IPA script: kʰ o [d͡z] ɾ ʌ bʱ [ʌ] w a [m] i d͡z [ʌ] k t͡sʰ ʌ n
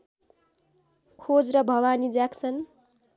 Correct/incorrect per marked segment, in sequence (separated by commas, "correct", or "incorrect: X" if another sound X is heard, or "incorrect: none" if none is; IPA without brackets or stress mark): correct, correct, incorrect: n, incorrect: a